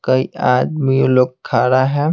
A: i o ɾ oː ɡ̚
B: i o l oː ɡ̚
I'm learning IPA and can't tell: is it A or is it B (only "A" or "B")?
B